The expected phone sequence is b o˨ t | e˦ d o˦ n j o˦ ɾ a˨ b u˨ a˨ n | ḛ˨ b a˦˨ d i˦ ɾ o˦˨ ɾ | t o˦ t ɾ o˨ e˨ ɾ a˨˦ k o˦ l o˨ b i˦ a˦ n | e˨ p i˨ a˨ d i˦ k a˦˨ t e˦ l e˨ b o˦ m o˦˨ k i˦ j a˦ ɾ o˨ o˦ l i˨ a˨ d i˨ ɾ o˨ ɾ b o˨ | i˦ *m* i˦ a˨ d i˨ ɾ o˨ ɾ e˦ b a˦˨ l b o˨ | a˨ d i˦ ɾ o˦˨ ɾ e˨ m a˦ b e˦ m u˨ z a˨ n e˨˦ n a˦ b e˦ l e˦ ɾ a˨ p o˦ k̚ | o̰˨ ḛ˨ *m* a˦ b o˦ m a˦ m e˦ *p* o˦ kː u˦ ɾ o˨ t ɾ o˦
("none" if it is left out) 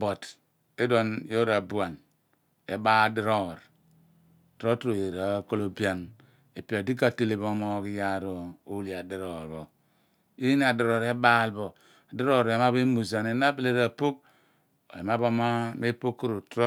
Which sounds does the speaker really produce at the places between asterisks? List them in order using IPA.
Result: n, m, p

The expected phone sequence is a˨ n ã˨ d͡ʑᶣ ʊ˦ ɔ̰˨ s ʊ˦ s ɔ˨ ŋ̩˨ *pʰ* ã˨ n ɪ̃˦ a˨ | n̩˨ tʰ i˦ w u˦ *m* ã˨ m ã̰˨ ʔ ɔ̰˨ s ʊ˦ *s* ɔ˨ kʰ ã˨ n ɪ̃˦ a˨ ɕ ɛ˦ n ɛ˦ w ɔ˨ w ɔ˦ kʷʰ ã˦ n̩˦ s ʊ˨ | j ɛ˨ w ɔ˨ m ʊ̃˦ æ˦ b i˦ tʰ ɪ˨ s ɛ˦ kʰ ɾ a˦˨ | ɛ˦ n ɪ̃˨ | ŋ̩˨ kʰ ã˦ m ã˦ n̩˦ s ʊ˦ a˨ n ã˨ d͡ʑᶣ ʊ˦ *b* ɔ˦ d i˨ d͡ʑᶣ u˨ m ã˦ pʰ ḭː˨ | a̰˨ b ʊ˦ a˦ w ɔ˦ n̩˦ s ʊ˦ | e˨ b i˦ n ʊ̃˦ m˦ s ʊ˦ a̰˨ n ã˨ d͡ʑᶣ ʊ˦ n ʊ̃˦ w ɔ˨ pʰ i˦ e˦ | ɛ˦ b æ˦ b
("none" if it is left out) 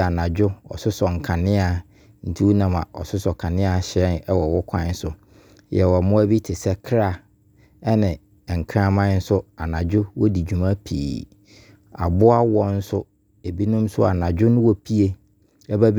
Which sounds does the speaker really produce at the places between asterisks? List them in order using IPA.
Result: kʰ, n, s, w

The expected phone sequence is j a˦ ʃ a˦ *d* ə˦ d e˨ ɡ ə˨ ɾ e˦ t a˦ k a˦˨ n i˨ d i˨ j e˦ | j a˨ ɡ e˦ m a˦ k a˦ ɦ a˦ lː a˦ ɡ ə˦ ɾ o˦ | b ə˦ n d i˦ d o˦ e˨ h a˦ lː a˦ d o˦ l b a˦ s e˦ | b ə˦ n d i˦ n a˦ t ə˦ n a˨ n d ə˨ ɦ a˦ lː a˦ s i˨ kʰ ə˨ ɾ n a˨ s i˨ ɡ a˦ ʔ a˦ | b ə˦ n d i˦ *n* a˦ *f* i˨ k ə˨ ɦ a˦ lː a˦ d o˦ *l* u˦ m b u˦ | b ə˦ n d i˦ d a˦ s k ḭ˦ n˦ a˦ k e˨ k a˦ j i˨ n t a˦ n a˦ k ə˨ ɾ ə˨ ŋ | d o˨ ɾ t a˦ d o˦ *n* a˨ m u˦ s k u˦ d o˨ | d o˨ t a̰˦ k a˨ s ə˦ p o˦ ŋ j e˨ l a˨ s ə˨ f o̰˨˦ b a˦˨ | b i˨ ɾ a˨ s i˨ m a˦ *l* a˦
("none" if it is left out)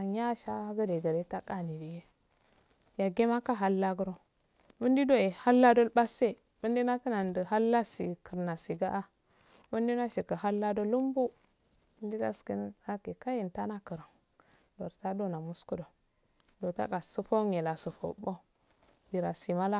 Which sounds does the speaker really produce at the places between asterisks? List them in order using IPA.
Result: ɡ, n, ʃ, l, n, l

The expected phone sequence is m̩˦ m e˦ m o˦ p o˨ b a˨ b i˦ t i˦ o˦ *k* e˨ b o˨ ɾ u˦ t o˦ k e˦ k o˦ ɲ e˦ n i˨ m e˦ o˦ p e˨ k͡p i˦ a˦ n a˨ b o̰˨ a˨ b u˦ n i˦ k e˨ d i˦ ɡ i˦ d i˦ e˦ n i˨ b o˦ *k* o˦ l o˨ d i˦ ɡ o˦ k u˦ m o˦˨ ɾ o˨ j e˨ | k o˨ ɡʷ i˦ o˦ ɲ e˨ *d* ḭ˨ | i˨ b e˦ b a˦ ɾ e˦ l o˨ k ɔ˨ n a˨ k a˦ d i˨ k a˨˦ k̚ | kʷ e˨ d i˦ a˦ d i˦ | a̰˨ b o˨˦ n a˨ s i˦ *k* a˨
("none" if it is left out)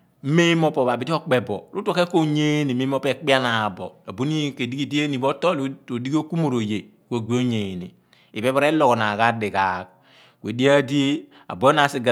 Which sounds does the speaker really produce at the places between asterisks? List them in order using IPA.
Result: k͡p, t, n, ɡ

